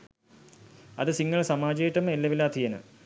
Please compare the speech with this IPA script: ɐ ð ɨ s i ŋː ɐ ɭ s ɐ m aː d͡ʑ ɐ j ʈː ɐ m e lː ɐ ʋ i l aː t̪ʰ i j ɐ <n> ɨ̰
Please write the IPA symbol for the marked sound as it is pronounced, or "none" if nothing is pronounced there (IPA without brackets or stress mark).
n